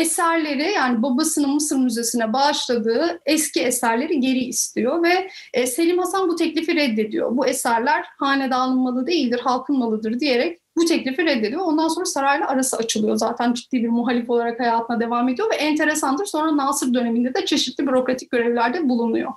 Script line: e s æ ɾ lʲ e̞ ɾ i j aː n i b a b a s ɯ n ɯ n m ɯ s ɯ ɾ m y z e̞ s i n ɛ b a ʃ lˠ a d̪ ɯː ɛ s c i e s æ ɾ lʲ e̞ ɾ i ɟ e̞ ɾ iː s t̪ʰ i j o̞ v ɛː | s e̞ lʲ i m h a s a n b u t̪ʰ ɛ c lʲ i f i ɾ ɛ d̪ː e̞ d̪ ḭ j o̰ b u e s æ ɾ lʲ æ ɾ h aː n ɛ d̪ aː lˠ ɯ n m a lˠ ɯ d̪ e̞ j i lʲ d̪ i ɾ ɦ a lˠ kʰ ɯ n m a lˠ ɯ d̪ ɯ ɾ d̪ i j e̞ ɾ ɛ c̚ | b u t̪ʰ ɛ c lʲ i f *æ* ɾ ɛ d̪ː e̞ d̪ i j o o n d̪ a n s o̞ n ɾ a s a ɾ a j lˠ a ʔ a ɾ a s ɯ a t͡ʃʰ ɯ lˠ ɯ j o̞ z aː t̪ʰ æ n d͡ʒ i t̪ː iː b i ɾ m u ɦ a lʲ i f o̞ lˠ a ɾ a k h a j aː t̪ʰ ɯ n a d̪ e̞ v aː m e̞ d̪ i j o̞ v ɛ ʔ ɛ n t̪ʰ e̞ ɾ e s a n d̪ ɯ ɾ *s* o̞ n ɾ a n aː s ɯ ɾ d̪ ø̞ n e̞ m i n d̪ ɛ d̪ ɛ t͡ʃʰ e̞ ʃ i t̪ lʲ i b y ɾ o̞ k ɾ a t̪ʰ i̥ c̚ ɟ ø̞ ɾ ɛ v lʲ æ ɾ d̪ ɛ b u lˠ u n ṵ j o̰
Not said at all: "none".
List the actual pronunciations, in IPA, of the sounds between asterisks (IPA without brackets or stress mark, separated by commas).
i, s